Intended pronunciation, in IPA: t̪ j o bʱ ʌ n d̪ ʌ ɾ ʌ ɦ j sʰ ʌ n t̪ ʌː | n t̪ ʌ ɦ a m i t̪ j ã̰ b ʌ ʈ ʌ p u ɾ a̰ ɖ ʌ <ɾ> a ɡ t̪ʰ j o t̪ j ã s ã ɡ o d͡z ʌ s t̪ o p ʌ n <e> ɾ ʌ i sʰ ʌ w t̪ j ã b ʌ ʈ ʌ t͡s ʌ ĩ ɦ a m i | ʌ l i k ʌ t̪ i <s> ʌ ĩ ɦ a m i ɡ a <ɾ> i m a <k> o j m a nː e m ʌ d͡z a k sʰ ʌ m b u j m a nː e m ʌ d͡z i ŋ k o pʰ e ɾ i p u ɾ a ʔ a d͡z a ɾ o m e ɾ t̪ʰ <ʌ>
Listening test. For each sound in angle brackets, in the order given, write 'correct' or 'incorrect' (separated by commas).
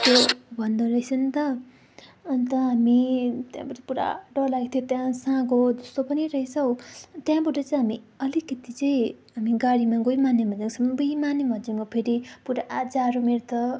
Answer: incorrect, incorrect, incorrect, incorrect, incorrect, correct